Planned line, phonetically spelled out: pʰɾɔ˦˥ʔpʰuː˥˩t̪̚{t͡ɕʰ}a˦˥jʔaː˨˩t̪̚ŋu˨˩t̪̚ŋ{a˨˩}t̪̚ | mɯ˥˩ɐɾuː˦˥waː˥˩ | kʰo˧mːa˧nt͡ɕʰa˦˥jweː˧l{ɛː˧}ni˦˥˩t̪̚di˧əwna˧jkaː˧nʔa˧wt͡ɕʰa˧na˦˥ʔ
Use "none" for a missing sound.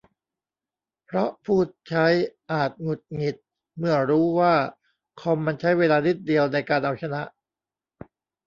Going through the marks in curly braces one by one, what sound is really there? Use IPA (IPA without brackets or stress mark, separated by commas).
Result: t͡ɕʰ, i˨˩, aː˧